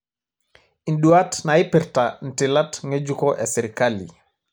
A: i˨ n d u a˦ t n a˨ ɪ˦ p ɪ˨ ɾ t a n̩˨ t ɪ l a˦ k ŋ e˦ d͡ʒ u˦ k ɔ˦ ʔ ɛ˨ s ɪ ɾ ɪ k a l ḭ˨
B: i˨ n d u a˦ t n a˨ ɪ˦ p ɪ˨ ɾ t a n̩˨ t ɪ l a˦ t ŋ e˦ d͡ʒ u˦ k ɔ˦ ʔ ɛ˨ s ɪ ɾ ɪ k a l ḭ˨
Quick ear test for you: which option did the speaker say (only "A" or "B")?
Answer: B